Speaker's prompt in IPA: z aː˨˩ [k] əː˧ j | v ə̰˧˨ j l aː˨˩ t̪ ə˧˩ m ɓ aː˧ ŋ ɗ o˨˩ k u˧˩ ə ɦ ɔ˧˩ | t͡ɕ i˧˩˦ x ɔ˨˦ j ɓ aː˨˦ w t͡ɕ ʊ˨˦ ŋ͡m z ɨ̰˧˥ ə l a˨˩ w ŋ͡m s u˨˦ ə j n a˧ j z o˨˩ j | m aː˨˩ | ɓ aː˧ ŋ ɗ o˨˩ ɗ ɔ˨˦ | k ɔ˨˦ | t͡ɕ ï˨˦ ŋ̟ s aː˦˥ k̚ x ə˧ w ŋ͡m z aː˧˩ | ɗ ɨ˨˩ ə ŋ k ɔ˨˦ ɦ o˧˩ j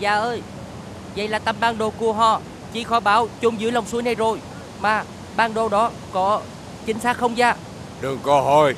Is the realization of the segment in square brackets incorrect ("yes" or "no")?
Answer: yes